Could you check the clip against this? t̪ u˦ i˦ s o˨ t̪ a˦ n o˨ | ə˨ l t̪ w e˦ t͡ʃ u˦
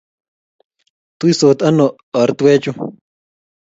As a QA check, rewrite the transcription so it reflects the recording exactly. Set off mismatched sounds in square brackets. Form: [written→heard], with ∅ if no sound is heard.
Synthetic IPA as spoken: t̪ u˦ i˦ s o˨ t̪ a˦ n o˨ | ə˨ [l→ɾ] t̪ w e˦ t͡ʃ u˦